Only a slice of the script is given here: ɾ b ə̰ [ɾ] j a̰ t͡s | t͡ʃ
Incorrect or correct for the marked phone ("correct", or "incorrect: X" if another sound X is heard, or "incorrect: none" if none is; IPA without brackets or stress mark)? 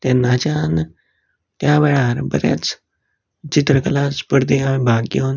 correct